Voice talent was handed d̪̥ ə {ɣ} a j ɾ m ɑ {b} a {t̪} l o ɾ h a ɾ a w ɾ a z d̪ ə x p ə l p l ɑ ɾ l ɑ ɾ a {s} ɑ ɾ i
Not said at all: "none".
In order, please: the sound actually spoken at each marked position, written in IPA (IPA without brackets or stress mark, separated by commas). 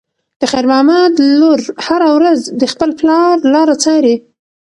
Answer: x, m, d̪, t͡s